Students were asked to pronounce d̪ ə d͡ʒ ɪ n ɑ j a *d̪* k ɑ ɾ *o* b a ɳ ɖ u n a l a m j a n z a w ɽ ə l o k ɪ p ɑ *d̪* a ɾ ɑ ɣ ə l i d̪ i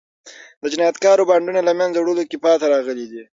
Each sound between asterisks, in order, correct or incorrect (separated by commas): incorrect, correct, incorrect